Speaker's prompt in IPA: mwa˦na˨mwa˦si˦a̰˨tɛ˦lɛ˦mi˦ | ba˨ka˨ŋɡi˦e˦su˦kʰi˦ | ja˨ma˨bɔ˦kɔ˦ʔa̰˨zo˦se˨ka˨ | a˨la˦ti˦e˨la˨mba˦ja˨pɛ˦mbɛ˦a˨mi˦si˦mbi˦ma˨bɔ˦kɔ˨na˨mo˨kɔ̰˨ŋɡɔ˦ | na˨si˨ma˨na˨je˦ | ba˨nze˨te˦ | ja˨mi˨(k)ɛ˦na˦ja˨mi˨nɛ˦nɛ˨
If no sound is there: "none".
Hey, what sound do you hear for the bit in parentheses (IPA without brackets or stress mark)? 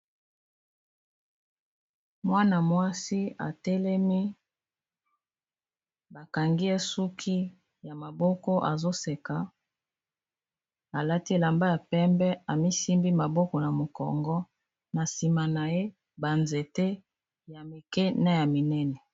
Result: k